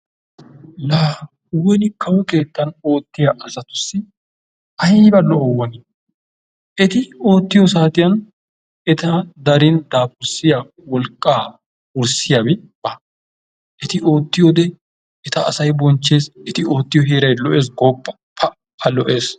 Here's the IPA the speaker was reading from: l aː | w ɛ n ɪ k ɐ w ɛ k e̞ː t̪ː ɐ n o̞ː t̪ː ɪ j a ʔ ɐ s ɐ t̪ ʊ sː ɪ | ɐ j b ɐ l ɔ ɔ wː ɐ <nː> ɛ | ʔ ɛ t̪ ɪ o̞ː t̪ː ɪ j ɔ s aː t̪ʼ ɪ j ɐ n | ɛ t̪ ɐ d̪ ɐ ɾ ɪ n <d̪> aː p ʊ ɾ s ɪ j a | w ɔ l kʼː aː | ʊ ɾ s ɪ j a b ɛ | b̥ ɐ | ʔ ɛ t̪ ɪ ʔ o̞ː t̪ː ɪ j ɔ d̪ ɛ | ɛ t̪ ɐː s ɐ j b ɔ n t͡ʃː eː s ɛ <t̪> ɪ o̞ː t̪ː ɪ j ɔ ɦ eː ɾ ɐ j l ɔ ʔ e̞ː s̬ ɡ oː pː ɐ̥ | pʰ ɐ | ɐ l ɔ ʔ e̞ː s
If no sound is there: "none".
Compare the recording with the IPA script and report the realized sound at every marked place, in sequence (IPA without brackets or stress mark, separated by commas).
n, d̪, t̪